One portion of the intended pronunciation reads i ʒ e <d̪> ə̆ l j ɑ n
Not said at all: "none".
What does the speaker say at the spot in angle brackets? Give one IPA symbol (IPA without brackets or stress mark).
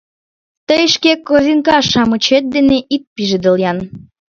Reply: d̪